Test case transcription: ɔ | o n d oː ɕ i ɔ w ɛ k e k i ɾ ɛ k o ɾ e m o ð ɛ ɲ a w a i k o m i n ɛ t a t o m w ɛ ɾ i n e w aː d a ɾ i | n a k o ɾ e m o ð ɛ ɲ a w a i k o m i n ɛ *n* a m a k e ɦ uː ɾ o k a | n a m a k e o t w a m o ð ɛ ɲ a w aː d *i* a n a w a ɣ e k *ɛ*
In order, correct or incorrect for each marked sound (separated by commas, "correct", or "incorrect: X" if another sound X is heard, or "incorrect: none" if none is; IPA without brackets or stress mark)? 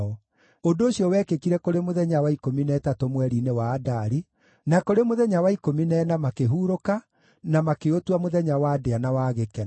correct, incorrect: e, correct